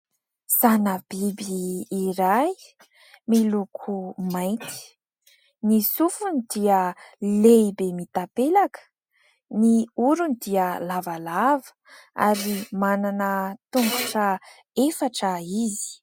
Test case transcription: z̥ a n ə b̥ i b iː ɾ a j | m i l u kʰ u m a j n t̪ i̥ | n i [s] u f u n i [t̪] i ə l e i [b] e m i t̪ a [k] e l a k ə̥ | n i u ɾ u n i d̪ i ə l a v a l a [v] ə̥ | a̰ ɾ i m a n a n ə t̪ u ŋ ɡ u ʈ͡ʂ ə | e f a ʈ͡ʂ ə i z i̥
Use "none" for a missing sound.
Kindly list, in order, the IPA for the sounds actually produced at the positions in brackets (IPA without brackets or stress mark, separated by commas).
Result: s, d̪, b, p, v